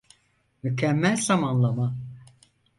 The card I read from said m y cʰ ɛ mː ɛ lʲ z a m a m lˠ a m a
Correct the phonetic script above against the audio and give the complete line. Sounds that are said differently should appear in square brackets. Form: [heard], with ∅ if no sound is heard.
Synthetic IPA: m y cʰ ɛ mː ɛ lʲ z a m a [n] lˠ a m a